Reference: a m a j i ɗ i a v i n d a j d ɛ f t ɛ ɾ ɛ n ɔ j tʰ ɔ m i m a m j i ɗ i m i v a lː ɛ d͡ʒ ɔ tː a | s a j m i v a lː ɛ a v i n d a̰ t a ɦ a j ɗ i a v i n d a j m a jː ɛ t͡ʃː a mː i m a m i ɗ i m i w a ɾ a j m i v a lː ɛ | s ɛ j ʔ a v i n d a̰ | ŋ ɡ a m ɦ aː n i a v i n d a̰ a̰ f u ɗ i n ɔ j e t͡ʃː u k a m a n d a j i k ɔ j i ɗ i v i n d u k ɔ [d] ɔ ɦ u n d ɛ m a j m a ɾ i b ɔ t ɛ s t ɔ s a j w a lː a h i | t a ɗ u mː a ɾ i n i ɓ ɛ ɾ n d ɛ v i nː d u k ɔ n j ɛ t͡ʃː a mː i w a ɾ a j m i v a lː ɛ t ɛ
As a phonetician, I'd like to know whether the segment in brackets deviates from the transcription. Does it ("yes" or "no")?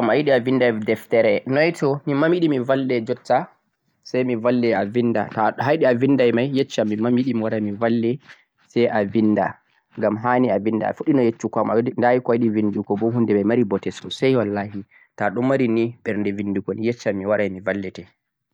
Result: yes